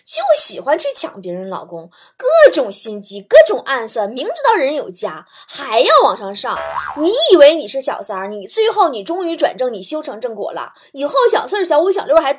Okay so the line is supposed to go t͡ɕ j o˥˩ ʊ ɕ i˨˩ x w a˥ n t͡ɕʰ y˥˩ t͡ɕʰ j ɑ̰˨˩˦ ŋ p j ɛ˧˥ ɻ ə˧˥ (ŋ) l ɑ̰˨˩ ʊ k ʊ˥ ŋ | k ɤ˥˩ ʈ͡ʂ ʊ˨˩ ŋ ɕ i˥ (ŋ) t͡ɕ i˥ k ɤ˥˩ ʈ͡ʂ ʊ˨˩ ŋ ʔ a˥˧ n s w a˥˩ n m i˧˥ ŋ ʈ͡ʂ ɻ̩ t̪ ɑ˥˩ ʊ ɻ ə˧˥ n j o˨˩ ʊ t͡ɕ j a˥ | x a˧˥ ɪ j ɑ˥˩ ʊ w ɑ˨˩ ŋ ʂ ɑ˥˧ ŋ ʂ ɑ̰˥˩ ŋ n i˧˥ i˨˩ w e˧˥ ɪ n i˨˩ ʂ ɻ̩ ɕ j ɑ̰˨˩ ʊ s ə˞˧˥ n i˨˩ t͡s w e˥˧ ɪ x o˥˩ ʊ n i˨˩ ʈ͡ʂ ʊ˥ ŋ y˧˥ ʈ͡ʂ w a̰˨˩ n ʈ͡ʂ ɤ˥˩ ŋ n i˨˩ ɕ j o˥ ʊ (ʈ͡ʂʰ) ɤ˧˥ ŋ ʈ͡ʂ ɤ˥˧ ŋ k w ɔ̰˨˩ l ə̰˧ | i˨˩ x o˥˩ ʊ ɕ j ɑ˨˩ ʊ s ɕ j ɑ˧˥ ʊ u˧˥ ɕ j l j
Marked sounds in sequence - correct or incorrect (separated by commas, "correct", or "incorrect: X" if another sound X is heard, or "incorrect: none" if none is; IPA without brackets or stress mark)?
incorrect: n, incorrect: n, correct